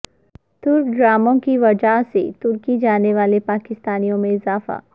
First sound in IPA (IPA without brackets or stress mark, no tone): t̪